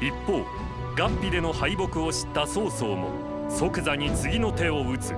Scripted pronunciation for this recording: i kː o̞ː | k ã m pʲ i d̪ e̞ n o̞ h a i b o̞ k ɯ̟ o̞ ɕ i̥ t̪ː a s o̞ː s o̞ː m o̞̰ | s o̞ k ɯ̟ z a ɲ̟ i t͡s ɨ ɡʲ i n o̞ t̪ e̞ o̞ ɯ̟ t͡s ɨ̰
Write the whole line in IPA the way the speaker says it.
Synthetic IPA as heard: i pː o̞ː | ɡ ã m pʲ i d̪ e̞ n o̞ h a i b o̞ k ɯ̟ o̞ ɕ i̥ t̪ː a s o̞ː s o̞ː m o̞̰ | s o̞ k ɯ̟ z a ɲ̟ i t͡s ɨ ɡʲ i n o̞ t̪ e̞ o̞ ɯ̟ t͡s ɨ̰